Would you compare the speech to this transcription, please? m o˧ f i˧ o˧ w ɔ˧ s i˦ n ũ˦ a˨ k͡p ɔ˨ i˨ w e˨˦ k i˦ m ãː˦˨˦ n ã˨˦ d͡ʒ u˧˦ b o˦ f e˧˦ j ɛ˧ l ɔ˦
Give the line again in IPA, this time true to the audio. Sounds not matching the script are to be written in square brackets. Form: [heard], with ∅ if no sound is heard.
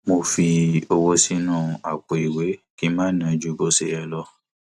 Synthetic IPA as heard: m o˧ f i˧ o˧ w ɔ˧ s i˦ n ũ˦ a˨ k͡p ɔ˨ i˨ w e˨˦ k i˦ m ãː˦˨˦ n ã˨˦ d͡ʒ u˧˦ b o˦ [s] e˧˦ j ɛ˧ l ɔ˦